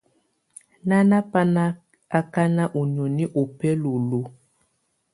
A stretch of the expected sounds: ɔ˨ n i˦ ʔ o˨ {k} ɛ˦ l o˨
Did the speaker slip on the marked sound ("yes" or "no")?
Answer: yes